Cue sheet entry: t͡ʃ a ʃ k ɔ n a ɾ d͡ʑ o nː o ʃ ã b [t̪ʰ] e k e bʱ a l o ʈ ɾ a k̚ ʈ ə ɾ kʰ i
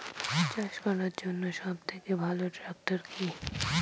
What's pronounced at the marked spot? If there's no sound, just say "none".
t̪ʰ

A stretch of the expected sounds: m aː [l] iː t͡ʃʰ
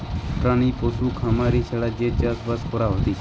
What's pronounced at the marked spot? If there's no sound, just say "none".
ɾ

